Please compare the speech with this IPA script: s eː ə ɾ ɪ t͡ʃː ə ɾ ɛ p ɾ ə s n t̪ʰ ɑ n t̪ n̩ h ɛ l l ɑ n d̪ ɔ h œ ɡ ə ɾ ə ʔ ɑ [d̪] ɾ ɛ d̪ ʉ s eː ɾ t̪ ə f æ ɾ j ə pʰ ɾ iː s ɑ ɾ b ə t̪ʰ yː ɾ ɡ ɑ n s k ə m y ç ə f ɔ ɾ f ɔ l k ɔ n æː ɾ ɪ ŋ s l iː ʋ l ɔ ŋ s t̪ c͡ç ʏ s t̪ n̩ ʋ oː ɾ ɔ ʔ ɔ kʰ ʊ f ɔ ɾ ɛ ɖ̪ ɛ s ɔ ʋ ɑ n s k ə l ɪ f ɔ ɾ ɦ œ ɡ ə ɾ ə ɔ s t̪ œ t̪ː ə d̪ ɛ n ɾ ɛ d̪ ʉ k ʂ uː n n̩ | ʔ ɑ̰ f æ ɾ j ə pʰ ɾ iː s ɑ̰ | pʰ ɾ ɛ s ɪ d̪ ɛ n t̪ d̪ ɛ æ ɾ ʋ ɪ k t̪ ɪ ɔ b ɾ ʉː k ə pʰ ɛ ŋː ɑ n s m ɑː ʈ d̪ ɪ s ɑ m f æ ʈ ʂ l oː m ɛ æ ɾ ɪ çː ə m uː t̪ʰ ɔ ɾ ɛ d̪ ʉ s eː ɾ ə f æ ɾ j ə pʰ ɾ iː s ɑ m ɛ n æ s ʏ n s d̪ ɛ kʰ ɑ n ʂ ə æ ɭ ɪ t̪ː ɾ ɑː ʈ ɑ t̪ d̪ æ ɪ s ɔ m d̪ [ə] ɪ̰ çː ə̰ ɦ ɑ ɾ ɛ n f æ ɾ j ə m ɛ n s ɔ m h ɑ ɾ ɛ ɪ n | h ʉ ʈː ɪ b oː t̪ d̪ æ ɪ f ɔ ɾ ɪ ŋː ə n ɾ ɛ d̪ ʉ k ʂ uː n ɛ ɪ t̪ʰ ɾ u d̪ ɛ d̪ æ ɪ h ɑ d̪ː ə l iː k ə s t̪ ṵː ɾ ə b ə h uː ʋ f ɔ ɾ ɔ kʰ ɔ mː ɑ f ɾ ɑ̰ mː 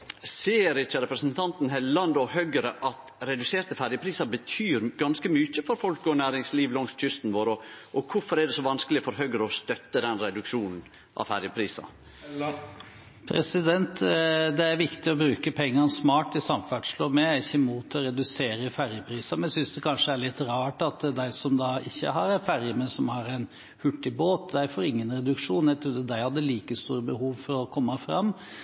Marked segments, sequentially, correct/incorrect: incorrect: t̪, incorrect: ɑ

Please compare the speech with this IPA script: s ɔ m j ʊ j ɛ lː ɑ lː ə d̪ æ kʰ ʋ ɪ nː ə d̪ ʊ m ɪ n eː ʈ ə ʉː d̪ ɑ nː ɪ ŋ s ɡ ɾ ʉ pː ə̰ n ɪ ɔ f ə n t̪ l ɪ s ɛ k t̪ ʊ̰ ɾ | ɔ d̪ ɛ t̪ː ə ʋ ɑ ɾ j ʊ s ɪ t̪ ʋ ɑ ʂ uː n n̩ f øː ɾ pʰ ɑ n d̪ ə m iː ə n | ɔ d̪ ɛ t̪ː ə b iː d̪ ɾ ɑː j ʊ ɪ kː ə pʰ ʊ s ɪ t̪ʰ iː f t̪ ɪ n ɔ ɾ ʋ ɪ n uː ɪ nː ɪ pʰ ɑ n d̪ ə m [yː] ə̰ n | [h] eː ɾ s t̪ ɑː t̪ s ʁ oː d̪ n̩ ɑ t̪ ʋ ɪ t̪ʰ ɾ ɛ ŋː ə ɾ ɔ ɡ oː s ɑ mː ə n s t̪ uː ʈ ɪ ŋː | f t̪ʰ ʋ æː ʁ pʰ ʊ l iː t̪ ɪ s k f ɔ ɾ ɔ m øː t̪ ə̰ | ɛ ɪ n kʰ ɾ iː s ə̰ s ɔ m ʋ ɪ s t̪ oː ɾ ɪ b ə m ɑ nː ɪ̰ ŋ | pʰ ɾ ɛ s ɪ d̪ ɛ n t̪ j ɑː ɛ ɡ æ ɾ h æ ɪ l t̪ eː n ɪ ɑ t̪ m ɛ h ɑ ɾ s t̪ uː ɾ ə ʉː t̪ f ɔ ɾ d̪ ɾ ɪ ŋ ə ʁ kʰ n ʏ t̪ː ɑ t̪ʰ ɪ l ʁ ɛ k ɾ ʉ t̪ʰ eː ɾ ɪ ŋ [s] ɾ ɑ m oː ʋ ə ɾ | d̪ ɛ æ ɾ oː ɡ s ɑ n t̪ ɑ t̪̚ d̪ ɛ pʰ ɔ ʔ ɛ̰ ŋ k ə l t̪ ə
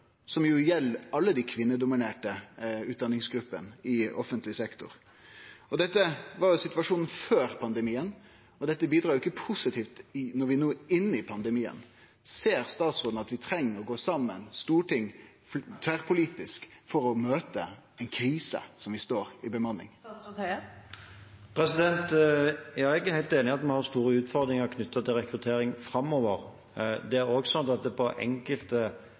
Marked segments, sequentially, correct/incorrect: incorrect: iː, incorrect: s, incorrect: f

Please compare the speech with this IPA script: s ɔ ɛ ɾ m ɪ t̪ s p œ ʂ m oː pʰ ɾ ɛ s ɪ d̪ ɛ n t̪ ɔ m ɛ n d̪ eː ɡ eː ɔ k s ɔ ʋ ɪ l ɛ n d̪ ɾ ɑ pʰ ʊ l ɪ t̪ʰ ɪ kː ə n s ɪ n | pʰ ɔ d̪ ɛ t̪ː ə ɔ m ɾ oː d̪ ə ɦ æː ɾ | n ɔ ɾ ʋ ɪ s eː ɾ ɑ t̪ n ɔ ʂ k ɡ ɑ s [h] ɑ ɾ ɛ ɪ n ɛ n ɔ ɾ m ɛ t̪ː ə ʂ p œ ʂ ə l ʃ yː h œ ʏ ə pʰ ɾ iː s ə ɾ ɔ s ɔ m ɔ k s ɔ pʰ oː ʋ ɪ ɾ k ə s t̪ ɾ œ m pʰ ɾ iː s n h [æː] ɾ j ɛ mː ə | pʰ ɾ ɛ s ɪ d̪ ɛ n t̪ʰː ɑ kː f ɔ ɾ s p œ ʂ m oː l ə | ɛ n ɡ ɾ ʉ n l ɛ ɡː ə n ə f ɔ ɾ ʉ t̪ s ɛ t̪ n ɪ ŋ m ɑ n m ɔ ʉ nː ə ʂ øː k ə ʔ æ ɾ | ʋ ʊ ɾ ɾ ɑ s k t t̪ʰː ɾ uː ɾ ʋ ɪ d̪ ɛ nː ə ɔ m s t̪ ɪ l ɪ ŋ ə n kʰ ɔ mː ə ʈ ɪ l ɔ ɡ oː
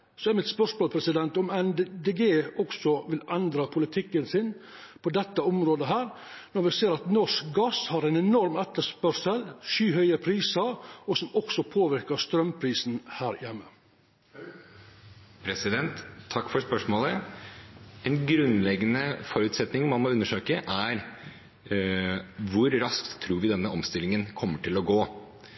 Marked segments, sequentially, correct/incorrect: correct, correct

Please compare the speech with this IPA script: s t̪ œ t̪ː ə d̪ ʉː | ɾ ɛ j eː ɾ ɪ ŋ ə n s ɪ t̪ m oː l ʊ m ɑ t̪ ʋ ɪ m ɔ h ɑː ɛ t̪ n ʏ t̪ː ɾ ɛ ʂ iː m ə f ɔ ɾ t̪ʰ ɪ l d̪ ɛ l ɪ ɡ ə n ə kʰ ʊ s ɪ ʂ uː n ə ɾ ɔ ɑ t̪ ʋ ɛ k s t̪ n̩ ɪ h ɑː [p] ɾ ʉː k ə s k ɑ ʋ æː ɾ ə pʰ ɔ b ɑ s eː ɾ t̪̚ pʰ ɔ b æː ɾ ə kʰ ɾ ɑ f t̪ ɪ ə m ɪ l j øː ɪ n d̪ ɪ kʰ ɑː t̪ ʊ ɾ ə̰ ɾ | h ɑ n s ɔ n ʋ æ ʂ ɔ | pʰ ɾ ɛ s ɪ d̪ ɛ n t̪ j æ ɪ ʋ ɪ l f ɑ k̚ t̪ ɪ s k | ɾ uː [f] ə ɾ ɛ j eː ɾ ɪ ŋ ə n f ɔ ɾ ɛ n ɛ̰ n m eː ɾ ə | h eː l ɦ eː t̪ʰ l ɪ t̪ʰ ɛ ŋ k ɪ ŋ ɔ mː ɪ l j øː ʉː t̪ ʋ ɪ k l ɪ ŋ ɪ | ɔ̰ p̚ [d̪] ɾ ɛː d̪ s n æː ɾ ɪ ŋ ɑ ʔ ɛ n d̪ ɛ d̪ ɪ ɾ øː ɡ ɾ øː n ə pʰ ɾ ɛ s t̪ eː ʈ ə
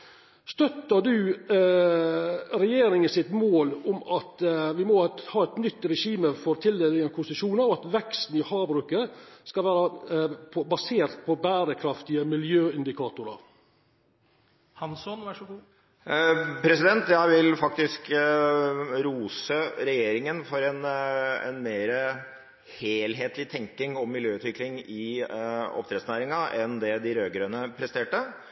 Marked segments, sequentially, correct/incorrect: incorrect: b, incorrect: s, incorrect: t̪

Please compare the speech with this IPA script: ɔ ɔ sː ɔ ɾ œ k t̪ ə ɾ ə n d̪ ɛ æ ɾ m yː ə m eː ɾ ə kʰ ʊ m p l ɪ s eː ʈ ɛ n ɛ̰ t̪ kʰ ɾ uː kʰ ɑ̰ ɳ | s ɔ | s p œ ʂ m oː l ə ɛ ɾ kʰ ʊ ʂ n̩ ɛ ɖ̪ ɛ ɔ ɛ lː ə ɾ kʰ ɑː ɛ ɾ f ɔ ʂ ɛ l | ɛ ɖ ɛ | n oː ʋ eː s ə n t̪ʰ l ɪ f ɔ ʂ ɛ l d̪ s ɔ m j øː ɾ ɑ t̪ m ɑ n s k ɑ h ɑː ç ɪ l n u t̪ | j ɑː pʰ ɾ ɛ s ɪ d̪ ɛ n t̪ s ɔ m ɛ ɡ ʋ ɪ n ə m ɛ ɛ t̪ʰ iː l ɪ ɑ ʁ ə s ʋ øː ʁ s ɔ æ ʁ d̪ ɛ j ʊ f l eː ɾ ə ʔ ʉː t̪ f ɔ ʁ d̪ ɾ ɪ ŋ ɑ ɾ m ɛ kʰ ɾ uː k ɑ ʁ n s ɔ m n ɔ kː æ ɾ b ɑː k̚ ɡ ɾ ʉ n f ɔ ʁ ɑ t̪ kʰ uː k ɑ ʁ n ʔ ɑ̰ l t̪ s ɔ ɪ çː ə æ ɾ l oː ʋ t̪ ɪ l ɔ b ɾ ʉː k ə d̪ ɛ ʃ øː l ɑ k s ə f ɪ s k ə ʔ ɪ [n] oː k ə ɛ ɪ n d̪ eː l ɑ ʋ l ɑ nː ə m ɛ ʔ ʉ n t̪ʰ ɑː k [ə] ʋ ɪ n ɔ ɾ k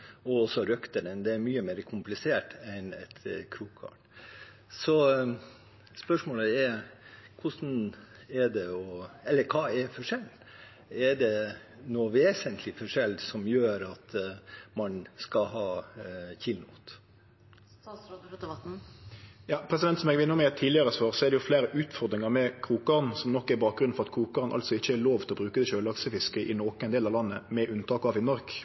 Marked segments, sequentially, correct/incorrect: correct, incorrect: ɑ

